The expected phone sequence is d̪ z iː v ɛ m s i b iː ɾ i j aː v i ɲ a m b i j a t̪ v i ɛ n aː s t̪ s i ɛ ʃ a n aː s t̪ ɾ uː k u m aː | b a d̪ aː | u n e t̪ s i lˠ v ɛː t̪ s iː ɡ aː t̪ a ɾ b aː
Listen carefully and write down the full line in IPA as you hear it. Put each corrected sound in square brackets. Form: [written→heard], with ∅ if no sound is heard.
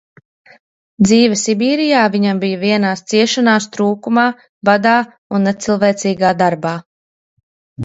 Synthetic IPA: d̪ z iː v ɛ [m→∅] s i b iː ɾ i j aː v i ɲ a m b i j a [t̪→∅] v i ɛ n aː s t̪ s i ɛ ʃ a n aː s t̪ ɾ uː k u m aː | b a d̪ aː | u [n→nː] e t̪ s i lˠ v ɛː t̪ s iː ɡ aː [t̪→d̪] a ɾ b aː